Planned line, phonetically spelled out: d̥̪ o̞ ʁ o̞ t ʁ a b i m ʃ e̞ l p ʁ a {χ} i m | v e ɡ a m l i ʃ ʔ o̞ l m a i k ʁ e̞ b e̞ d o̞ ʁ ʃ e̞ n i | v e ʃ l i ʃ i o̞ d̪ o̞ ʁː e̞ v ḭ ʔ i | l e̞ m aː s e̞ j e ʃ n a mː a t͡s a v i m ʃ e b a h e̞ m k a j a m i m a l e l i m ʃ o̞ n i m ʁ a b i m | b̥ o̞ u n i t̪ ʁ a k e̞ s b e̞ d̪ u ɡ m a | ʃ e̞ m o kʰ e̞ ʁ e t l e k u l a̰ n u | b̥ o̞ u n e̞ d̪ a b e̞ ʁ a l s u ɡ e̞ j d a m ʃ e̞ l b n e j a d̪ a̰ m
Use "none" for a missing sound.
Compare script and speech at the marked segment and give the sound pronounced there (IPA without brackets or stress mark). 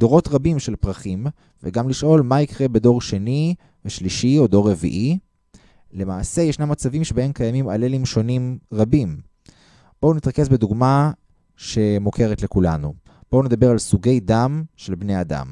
χ